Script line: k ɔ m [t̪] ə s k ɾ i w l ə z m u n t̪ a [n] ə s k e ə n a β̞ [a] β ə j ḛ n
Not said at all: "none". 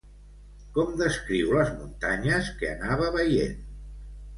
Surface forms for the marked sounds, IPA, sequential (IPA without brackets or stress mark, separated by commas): d̪, ɲ, ə